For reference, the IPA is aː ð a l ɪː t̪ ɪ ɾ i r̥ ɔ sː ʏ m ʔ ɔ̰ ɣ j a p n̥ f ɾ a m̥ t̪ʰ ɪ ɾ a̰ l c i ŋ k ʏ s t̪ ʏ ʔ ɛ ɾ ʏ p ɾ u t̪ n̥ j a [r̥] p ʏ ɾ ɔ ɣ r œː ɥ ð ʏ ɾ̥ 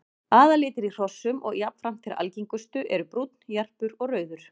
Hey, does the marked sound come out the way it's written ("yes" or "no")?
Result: yes